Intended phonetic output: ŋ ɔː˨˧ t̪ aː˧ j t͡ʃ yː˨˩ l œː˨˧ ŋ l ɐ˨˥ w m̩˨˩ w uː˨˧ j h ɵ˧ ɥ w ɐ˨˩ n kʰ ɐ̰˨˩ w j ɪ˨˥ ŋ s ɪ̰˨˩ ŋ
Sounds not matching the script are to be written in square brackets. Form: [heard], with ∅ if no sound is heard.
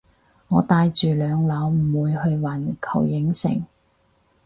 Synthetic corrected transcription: ŋ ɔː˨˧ t̪ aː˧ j t͡ʃ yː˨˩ l œː˨˧ ŋ l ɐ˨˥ w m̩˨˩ w uː˨˧ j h ɵ˧ ɥ w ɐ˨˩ n kʰ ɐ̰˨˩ w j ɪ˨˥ ŋ s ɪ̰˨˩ ŋ